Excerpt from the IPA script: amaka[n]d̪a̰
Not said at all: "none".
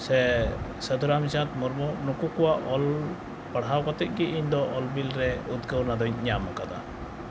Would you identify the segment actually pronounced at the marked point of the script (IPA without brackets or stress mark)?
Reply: none